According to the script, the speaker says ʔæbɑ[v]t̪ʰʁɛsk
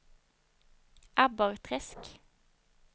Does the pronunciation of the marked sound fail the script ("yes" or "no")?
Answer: yes